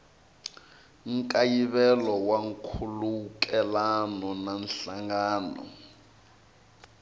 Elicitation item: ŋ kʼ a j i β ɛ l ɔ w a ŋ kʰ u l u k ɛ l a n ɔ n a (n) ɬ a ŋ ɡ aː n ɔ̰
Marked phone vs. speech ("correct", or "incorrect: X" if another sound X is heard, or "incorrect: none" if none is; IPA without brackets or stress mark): correct